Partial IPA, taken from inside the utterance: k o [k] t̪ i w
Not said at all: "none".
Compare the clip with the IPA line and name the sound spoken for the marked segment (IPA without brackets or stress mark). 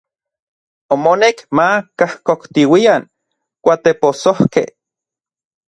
k